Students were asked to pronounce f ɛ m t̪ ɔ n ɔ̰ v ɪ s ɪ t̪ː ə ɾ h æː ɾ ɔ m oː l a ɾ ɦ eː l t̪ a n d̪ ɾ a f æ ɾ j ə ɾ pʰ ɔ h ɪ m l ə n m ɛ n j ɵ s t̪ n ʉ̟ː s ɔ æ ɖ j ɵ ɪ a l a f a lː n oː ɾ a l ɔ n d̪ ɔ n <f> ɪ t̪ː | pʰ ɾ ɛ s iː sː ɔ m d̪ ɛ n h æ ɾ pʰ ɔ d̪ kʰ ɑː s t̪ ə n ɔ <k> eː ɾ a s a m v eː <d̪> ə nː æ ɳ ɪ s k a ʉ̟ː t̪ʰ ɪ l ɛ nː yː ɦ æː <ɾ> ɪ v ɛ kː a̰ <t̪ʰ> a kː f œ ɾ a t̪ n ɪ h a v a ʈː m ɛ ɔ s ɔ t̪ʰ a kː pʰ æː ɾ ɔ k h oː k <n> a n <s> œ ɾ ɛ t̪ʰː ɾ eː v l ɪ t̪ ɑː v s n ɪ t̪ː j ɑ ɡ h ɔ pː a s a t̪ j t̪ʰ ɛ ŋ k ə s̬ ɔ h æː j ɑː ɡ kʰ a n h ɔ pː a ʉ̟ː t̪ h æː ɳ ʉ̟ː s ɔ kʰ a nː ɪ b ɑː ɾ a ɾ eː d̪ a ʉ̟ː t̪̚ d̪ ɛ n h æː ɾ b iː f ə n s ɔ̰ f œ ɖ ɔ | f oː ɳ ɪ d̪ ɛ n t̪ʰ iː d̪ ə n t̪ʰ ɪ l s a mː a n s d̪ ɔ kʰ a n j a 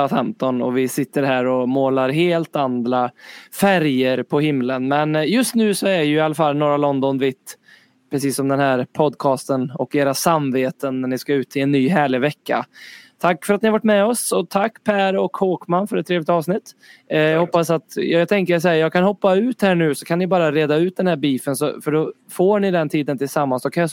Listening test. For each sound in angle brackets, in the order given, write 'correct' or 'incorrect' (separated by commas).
incorrect, correct, incorrect, incorrect, correct, incorrect, incorrect